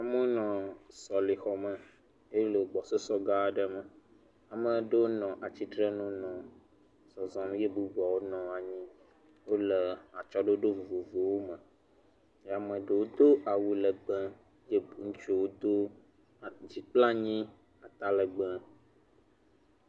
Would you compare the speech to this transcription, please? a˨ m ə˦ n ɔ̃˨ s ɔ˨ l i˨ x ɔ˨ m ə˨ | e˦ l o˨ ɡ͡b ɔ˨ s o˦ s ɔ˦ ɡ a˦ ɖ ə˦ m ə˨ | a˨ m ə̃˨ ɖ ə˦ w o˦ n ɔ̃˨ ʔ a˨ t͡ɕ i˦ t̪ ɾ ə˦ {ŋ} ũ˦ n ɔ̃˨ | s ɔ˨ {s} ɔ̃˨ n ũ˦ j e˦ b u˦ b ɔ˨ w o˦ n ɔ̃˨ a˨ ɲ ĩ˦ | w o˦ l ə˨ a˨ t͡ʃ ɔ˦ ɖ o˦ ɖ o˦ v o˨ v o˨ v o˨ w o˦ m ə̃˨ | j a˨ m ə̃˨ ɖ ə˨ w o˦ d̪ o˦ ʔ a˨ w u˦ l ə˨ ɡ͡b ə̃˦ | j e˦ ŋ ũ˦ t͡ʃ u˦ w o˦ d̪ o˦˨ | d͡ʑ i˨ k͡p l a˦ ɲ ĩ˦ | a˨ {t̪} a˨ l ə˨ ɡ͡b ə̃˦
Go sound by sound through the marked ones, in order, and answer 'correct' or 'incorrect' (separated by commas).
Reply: incorrect, incorrect, correct